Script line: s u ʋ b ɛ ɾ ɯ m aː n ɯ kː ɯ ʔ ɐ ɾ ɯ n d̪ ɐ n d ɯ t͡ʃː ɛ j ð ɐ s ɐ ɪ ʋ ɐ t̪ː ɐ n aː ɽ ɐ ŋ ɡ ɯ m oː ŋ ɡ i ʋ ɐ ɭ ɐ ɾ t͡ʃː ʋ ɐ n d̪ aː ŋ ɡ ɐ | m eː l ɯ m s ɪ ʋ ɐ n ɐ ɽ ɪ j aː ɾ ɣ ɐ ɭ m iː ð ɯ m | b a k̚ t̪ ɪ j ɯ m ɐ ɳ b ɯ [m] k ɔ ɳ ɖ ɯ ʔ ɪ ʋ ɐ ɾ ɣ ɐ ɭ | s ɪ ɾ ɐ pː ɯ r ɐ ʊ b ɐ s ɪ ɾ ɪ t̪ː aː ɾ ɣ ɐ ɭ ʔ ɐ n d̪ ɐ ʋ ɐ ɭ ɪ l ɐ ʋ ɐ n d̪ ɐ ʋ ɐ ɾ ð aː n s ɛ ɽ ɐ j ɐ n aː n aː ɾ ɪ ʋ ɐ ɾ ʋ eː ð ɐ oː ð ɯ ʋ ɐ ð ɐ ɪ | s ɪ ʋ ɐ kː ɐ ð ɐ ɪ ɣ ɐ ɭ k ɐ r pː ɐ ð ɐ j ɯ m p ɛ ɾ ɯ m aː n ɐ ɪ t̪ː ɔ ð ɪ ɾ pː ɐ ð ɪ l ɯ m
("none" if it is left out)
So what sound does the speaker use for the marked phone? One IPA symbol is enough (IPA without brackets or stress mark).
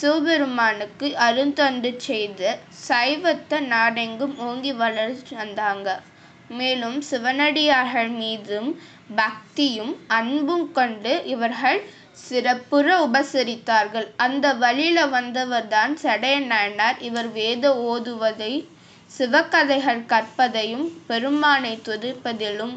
m